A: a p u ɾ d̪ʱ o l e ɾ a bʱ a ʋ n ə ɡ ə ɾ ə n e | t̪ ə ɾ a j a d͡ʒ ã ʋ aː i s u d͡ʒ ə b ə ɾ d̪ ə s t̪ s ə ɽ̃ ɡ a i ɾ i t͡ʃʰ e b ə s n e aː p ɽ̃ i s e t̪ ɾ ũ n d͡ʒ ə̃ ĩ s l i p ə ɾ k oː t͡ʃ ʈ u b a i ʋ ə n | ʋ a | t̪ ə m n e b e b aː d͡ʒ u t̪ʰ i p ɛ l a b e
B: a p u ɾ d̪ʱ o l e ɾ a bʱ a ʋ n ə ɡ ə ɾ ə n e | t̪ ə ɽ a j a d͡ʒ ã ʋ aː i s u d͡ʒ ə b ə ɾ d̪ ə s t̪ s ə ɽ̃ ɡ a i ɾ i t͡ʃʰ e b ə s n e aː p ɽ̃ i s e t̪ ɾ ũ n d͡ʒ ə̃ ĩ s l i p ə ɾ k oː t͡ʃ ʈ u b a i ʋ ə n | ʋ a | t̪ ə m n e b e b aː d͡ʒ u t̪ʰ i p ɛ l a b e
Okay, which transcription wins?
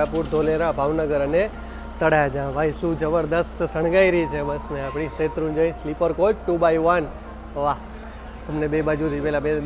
B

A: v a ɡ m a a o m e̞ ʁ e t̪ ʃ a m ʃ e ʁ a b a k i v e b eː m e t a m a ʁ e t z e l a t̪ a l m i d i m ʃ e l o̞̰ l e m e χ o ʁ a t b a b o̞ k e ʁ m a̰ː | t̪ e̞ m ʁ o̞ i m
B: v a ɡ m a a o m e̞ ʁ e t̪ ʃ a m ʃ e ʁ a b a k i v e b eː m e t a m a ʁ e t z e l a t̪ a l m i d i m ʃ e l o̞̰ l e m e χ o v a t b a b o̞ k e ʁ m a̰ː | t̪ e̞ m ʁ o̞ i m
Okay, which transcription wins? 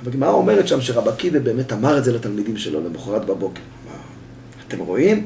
A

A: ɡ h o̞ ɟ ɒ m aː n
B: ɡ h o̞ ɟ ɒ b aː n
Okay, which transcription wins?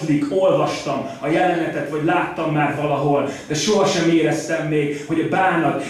B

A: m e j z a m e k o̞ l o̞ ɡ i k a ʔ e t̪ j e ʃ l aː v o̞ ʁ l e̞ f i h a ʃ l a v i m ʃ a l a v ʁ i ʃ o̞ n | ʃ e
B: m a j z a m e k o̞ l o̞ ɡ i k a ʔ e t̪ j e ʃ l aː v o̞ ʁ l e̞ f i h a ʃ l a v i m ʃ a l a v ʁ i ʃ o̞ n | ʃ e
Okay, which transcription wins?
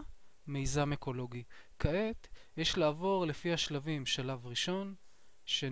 A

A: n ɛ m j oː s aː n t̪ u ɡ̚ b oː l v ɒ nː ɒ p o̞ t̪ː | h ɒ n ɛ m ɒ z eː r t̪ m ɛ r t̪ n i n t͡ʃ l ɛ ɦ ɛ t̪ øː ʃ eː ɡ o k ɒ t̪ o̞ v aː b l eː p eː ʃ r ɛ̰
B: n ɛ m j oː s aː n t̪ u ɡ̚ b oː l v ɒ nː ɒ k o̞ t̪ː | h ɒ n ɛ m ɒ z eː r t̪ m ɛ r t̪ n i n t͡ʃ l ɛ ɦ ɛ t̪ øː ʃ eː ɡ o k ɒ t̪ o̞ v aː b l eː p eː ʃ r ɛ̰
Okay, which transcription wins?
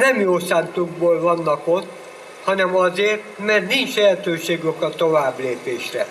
B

